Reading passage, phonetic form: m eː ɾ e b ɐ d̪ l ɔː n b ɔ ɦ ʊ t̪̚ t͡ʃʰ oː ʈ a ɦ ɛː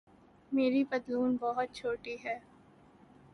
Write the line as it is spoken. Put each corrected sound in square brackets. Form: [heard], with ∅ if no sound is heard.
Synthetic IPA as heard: m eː ɾ [i] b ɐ d̪ l [uː] n b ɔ ɦ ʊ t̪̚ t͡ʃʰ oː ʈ [i] ɦ ɛː